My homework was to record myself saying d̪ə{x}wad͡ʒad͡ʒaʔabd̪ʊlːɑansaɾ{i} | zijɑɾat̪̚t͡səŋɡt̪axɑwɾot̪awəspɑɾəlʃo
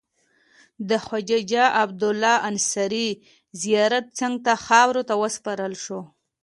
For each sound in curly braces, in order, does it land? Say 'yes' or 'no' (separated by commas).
yes, yes